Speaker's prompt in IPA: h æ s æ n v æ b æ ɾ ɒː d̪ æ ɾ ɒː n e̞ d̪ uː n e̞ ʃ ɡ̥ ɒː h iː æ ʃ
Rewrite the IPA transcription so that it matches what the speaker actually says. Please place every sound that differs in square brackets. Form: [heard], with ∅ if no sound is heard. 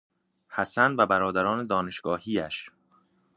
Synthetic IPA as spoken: h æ s æ n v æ b æ ɾ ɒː d̪ æ ɾ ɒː n e̞ d̪ [ɒː] n e̞ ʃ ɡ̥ ɒː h iː æ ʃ